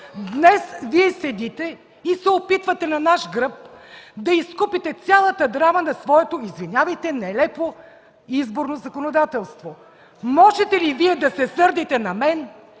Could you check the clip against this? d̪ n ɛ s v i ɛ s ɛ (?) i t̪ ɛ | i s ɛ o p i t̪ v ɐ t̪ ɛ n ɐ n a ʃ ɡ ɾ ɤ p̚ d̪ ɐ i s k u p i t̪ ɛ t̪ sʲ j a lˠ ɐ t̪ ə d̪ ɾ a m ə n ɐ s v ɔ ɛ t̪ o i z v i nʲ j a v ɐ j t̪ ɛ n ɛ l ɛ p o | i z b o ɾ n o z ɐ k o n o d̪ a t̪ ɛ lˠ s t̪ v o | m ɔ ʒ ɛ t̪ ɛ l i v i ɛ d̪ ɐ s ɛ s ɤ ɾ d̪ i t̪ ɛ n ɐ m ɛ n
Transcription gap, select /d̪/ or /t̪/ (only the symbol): d̪